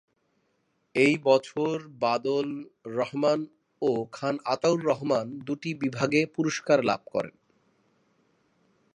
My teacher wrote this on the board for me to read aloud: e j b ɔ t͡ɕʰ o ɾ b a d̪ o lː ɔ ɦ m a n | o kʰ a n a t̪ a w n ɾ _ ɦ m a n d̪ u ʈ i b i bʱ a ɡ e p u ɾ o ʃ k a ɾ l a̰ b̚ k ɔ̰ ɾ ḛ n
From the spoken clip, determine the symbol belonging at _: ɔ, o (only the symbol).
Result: ɔ